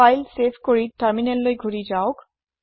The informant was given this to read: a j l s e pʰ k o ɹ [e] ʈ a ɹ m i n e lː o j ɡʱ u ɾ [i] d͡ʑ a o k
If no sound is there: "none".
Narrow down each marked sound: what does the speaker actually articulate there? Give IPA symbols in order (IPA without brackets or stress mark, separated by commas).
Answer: i, i